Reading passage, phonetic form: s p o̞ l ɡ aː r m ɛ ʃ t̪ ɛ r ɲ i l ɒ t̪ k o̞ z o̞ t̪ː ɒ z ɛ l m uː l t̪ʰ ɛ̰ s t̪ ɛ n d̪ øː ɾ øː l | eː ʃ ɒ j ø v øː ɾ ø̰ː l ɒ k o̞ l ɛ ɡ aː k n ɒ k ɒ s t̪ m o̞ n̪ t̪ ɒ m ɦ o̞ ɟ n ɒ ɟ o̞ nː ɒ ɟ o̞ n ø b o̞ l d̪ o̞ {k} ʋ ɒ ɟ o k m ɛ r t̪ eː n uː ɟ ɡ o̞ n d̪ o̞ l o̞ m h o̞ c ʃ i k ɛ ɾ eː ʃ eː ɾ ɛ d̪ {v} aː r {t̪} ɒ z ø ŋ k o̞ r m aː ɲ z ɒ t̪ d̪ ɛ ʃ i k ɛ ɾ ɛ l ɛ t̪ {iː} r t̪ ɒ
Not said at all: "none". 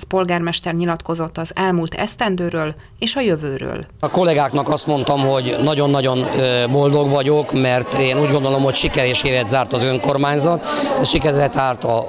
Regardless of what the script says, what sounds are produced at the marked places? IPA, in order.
ɡ, z, t̪, aː

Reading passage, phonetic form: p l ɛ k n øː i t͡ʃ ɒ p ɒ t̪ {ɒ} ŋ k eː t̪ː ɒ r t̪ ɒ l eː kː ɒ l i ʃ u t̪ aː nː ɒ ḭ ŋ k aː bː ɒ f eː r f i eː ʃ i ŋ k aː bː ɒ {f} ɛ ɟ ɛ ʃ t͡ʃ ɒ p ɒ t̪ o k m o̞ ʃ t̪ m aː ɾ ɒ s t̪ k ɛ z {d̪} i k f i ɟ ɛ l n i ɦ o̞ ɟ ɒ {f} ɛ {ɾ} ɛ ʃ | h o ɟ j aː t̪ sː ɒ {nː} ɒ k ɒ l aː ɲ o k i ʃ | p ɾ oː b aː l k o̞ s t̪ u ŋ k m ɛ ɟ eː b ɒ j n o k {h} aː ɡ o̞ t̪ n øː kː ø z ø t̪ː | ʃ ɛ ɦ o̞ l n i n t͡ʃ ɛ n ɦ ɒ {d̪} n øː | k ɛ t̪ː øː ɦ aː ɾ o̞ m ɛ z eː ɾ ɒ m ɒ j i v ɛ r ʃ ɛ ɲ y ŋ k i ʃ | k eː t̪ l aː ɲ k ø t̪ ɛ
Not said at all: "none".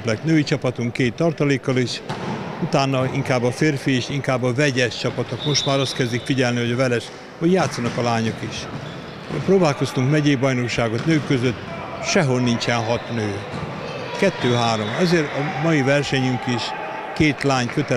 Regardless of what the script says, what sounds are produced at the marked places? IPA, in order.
u, v, d̪, v, l, n, ʃ, t̪

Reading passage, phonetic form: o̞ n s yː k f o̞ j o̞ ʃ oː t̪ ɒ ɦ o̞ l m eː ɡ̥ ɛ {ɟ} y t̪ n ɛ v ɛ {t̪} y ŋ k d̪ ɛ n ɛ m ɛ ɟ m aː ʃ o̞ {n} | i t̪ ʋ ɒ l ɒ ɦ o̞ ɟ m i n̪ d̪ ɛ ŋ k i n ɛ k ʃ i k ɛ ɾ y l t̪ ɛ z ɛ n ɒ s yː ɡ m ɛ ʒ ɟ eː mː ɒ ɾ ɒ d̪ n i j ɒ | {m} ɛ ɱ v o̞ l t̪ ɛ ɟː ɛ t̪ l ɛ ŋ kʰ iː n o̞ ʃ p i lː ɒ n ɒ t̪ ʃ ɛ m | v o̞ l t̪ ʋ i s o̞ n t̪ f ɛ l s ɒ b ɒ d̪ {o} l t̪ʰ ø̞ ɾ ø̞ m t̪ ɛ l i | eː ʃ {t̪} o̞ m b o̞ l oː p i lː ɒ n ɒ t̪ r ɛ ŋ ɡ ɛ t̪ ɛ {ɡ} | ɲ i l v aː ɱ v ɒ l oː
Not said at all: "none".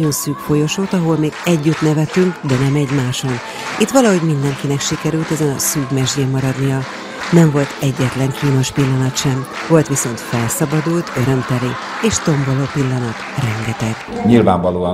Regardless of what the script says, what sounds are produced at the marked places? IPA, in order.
ɟː, t̪, n, n, u, t̪, ɡ

